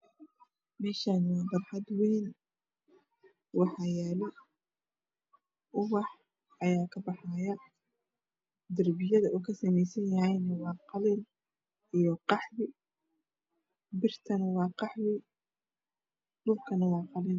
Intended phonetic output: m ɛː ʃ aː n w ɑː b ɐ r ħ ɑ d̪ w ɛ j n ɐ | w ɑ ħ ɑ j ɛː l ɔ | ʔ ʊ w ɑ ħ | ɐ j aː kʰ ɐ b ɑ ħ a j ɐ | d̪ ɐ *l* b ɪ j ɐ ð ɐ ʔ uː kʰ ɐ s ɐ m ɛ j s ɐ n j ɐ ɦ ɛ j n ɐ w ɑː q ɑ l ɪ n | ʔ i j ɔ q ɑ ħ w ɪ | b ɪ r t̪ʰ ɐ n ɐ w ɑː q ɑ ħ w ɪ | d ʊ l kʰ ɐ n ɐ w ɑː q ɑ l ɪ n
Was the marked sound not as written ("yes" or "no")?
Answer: yes